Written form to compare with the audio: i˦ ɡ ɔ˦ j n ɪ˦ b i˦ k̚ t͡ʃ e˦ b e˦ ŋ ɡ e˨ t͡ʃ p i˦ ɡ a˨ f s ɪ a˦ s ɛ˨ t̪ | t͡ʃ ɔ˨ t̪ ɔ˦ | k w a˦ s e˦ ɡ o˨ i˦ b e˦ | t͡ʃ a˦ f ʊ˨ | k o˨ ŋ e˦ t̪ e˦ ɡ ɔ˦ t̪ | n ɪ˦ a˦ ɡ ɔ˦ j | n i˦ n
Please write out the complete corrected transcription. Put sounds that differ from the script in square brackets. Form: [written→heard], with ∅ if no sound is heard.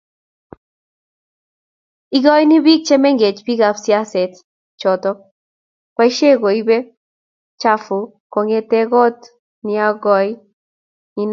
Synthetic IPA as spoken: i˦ ɡ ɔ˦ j n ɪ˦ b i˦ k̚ t͡ʃ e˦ [b→m] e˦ ŋ ɡ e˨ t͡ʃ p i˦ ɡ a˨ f s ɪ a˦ s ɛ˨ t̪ | t͡ʃ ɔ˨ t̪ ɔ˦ | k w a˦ [s→ʃ] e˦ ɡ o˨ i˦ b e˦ | t͡ʃ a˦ f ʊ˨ | k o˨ ŋ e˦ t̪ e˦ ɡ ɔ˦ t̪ | n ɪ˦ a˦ ɡ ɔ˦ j | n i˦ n